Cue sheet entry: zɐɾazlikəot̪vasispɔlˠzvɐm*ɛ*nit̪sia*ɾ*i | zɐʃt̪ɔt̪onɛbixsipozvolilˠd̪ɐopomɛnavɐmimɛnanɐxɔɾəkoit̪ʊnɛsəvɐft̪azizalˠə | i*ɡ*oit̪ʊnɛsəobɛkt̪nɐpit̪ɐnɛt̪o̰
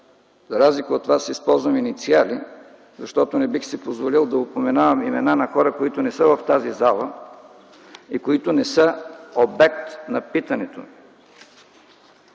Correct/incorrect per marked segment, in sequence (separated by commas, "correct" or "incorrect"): incorrect, incorrect, incorrect